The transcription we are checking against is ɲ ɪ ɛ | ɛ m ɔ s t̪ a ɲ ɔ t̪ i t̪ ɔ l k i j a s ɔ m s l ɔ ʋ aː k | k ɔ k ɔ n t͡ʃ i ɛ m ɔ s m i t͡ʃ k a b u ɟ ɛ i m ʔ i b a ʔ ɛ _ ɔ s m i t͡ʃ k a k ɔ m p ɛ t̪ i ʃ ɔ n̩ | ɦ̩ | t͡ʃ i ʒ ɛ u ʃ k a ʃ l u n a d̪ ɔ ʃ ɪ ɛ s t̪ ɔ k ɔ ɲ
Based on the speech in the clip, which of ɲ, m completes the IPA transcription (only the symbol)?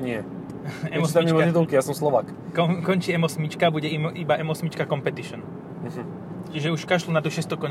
m